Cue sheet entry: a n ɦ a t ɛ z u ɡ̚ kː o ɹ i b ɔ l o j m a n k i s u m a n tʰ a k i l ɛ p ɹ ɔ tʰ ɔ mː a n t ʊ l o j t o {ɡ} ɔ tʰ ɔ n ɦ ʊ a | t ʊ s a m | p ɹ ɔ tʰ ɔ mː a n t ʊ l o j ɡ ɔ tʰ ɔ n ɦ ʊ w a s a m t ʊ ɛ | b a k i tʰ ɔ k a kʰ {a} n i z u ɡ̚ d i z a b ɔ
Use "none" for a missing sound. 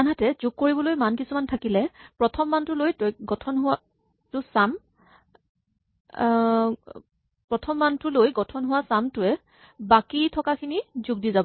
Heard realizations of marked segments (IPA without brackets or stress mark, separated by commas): ɡ, i